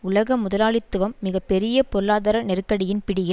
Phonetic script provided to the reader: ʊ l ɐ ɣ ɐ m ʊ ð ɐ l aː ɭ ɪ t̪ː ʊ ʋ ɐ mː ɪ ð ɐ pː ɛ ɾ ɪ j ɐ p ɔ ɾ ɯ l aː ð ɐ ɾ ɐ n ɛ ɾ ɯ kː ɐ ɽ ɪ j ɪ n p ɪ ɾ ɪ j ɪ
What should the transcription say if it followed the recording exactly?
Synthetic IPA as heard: ʊ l ɐ ɣ ɐ m ʊ ð ɐ l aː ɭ ɪ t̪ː ɯ ʋ ɐ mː ɪ ɣ ɐ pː ɛ ɾ ɪ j ɐ p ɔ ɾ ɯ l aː ð ɐ ɾ ɐ n ɛ ɾ ɯ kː ɐ ɽ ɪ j ɪ n p ɪ ɽ ɪ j ɪ